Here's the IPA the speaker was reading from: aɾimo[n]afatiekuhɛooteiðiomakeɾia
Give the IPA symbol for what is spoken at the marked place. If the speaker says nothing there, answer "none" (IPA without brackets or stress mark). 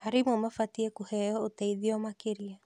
m